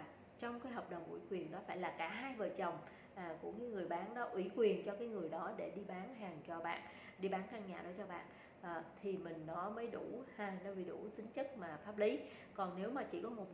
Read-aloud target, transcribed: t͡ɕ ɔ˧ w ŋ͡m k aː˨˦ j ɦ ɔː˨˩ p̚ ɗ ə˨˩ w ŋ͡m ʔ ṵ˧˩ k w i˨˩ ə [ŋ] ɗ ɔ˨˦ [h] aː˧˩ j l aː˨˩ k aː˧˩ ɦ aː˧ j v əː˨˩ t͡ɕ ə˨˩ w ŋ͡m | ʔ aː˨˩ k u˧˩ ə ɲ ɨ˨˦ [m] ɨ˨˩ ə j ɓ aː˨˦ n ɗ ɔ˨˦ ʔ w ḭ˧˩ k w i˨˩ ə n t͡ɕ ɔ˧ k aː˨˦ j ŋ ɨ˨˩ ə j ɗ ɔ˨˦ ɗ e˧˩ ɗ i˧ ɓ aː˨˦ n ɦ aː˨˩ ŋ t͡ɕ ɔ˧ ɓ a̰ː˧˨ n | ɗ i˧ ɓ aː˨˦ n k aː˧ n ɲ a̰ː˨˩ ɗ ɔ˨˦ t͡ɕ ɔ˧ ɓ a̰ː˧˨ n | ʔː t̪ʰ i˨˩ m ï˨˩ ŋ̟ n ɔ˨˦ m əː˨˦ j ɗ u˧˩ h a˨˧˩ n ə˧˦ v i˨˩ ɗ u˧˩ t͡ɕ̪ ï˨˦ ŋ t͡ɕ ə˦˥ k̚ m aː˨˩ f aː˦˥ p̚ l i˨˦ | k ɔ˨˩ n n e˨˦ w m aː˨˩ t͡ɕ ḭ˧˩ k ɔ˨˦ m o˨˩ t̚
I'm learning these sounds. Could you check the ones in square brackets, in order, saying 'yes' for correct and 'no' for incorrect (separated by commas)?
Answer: no, no, no